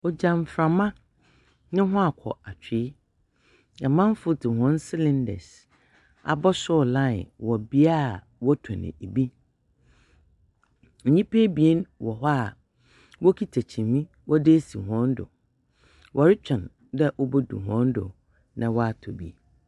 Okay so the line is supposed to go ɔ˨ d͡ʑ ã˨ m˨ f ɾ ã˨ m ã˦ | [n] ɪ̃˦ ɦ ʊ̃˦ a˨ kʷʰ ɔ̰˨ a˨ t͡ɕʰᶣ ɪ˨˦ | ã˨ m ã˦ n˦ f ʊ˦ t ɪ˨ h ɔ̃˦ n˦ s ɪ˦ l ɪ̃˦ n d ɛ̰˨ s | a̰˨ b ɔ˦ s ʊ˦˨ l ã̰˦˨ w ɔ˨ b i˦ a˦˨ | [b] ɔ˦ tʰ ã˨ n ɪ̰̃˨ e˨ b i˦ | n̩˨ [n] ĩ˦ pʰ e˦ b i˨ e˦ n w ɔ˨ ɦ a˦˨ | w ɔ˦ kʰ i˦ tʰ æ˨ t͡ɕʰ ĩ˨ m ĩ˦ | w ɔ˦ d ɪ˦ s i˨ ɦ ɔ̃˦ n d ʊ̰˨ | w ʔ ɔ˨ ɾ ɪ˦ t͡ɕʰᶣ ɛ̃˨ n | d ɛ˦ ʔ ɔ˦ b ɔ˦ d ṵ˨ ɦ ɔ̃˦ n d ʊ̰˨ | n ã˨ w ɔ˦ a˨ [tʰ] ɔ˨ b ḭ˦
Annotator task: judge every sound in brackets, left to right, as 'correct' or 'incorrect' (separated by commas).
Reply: correct, incorrect, incorrect, correct